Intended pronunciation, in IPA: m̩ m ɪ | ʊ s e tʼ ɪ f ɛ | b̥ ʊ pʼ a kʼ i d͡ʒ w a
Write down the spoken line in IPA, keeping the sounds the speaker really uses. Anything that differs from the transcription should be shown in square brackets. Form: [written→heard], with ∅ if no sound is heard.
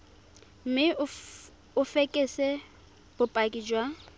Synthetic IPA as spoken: m̩ m ɪ | ʊ [s→f] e [tʼ→kʼ] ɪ [f→s] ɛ | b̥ ʊ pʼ a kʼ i d͡ʒ w a